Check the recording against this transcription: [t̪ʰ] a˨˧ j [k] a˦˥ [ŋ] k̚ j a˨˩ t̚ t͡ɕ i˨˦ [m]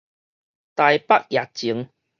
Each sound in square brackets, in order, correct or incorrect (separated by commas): incorrect, incorrect, incorrect, incorrect